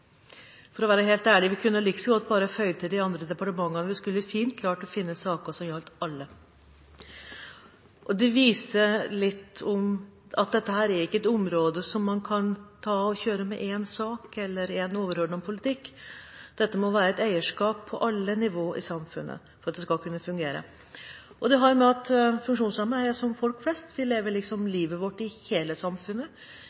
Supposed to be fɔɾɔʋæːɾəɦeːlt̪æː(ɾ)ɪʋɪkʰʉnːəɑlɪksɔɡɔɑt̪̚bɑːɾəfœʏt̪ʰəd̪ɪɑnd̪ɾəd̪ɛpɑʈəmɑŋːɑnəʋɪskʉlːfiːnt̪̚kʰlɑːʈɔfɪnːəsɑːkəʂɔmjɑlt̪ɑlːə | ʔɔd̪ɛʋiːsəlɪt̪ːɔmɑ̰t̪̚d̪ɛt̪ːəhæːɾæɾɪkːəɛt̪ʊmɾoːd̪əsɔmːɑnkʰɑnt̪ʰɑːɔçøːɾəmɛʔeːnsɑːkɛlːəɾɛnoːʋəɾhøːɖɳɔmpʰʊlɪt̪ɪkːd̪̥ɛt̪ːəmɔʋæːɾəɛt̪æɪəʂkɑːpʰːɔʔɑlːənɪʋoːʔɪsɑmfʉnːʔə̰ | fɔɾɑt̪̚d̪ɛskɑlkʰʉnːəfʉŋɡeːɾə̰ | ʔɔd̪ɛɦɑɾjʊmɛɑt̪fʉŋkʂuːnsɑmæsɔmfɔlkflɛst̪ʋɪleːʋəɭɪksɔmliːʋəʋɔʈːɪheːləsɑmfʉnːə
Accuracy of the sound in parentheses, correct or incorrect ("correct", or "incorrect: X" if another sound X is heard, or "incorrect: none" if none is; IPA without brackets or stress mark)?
incorrect: ɭ